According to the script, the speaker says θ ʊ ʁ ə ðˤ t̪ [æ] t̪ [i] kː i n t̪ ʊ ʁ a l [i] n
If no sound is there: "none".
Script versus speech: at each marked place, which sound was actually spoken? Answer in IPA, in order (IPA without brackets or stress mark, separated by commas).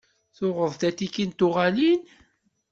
æ, i, i